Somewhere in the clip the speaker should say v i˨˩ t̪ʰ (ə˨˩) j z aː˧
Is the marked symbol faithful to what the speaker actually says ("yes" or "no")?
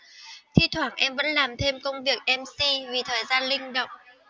no